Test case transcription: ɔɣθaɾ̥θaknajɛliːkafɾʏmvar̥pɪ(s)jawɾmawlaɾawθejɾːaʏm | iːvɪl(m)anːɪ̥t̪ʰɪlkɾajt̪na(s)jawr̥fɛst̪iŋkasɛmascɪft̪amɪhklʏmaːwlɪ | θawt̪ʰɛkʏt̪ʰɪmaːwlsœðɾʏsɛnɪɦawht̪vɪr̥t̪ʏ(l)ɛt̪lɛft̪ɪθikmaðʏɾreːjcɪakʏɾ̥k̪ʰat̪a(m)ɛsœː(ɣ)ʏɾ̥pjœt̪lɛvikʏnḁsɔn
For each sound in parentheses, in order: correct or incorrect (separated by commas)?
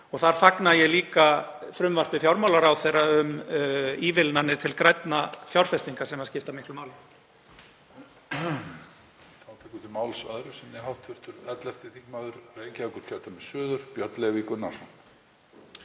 incorrect, incorrect, incorrect, incorrect, correct, incorrect